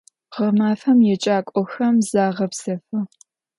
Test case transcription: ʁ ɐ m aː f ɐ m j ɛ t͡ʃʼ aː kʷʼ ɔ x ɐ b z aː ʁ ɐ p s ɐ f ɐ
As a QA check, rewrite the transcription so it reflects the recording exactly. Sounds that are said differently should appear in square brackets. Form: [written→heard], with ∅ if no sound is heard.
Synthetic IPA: ʁ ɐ m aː f ɐ m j ɛ t͡ʃʼ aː kʷʼ ɔ x ɐ [b→m] z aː ʁ ɐ p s ɐ f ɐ